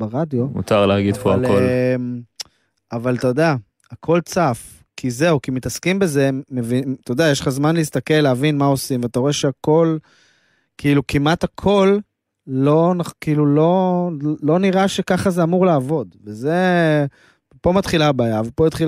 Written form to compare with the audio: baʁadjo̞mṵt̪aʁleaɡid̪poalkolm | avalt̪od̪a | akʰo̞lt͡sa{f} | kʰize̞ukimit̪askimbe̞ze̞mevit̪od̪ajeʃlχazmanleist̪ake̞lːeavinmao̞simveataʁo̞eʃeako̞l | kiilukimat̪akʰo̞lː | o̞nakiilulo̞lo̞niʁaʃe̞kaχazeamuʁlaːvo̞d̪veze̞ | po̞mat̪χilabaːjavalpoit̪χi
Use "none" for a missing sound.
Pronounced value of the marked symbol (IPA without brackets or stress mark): f